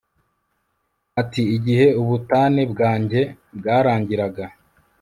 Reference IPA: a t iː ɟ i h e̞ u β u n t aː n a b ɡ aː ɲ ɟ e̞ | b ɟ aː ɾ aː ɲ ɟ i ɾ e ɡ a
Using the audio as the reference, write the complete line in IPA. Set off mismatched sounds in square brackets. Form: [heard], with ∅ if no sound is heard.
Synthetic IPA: a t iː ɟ i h e̞ u β u [∅] t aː n [e] b ɡ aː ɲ ɟ e̞ | b [ɡ] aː ɾ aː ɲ ɟ i ɾ [a] ɡ a